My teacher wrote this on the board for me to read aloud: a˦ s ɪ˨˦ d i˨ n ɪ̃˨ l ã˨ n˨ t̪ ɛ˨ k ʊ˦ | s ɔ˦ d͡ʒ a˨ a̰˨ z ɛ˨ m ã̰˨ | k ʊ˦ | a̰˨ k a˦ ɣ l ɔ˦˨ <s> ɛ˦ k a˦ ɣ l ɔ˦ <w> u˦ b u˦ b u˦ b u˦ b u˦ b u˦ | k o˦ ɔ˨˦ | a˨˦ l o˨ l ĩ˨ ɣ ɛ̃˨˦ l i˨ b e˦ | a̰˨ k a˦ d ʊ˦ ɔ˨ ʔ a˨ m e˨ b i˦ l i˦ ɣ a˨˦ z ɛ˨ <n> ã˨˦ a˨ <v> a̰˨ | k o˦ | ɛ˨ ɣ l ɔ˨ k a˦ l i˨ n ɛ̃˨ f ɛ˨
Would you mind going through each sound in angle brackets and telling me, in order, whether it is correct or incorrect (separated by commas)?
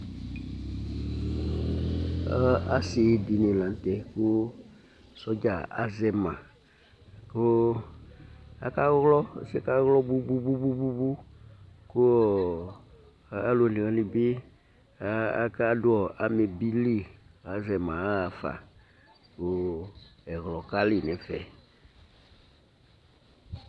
correct, incorrect, incorrect, incorrect